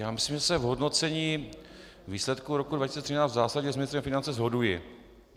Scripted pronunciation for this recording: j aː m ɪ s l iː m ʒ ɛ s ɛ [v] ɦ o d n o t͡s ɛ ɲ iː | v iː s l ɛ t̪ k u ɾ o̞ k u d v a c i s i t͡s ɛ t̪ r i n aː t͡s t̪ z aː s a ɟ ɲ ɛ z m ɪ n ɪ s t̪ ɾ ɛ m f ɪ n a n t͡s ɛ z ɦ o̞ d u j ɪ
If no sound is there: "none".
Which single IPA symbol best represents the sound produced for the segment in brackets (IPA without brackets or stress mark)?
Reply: v